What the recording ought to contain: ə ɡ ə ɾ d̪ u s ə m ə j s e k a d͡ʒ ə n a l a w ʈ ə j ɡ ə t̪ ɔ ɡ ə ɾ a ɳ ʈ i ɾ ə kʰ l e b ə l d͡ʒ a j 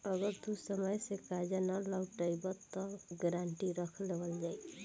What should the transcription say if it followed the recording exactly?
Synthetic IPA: ə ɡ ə ɾ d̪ u s ə m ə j s e k a d͡ʒ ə n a l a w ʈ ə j b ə t̪ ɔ ɡ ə ɾ a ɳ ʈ i ɾ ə kʰ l e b ə l d͡ʒ a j